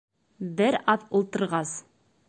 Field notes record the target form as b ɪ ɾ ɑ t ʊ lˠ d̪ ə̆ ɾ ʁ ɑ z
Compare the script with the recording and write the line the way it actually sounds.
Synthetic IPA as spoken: b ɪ ɾ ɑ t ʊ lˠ t̪ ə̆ ɾ ʁ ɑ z